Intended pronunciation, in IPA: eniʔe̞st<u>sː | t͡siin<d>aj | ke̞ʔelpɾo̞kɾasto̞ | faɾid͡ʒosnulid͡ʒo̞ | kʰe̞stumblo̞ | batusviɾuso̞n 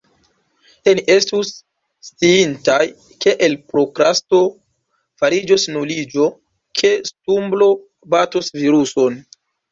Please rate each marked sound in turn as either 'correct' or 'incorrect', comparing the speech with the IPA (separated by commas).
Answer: correct, incorrect